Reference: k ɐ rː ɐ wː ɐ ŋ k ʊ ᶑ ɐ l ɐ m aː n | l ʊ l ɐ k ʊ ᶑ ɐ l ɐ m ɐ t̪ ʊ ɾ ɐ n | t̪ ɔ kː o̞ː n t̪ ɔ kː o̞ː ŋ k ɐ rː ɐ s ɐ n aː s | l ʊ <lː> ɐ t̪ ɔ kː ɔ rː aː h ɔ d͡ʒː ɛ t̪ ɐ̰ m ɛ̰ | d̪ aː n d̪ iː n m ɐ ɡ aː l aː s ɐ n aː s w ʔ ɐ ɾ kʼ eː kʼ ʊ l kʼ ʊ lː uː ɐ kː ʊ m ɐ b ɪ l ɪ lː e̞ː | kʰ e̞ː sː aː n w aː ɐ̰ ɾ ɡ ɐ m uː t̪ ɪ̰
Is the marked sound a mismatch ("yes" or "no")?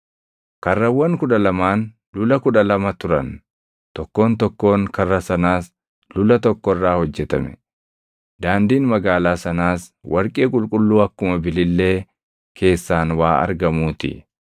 yes